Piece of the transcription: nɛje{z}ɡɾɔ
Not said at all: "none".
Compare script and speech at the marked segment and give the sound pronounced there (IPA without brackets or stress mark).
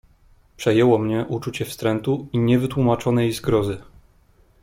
z